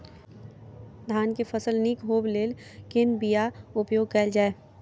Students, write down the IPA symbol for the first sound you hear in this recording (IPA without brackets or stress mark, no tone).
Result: d̪ʱ